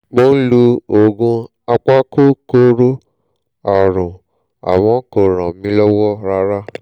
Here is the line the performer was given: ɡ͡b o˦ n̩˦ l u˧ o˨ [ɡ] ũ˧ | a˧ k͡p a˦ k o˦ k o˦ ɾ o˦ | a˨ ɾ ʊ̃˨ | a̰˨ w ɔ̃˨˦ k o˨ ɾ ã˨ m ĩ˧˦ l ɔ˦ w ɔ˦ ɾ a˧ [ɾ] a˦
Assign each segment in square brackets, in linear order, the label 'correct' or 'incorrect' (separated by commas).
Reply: correct, correct